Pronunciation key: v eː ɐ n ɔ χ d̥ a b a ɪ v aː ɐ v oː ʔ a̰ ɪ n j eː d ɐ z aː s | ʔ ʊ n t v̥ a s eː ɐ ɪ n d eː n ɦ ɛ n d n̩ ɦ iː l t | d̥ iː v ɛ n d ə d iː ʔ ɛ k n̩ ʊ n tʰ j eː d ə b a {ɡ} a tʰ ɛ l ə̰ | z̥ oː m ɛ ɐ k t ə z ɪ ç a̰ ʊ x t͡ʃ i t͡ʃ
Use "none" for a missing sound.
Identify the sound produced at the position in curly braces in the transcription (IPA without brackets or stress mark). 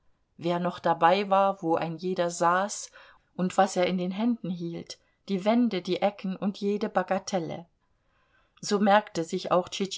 ɡ